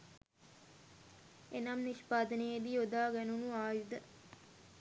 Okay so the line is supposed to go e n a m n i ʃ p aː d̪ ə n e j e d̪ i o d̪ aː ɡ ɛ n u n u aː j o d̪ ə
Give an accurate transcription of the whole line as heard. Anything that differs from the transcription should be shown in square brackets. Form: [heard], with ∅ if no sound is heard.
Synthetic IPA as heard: e n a m n i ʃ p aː d̪ ə n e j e d̪ i o d̪ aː ɡ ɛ n u n u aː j [u] d̪ ə